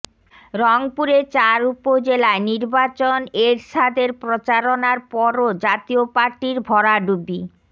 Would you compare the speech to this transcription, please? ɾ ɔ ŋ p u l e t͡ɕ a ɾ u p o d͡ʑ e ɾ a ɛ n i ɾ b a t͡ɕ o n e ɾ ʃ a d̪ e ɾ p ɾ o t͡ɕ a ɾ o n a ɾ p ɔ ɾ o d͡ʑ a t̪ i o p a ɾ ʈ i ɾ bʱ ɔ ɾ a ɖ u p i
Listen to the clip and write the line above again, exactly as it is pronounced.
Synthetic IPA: ɾ ɔ ŋ p u ɾ e t͡ɕ a ɾ u p o d͡ʑ e l a e n i ɾ b a t͡ɕ o n e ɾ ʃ a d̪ e ɾ p ɾ o t͡ɕ a ɾ o n a ɾ p ɔ ɾ o d͡ʑ a t̪ i o p a ɾ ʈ i ɾ bʱ ɔ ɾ a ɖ u b i